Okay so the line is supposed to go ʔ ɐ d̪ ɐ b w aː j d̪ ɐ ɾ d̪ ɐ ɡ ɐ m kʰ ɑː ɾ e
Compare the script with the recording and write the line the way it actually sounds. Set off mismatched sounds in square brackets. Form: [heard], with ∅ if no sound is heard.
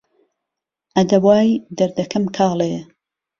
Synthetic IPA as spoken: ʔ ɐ d̪ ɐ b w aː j d̪ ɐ ɾ d̪ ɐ [k] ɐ m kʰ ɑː [l] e